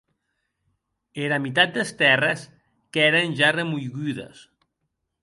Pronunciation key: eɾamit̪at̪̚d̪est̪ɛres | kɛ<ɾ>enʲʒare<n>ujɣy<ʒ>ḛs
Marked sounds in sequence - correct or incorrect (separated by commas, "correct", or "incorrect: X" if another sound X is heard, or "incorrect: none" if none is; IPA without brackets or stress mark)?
correct, incorrect: m, incorrect: ð